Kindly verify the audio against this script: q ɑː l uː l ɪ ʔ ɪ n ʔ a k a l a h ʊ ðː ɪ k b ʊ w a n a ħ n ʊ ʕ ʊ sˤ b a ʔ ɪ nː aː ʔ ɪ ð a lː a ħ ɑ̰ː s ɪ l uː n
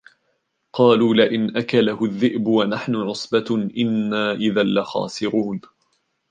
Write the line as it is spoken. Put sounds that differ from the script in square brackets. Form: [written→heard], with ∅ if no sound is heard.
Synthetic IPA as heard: q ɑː l uː l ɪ ʔ ɪ n ʔ a k a l a h ʊ ðː ɪ [k→ʔ] b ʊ w a n a ħ n ʊ ʕ ʊ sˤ b a ʔ ɪ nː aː ʔ ɪ ð a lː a [ħ→x] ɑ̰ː s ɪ [l→ɾ] uː n